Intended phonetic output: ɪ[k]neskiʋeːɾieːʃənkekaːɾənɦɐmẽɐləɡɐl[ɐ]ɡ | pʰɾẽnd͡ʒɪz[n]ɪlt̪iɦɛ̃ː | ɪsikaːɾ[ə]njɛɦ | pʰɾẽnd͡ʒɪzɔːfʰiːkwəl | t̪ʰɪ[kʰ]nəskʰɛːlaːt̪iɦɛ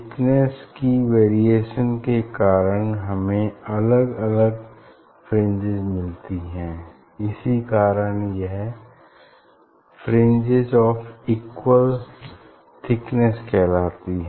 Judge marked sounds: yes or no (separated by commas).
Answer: yes, no, no, yes, no